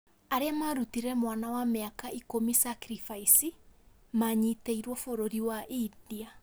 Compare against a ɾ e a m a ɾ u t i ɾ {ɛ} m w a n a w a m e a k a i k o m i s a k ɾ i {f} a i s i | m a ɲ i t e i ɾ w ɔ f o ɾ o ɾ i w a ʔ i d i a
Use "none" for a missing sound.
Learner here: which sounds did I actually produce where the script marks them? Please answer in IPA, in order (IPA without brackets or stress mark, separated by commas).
ɛ, f